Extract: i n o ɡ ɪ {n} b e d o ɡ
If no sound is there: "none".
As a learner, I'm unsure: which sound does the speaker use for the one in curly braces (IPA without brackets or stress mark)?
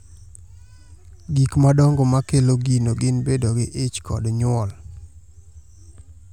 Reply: n